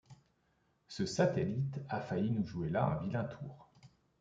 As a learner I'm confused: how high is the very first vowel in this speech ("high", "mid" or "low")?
mid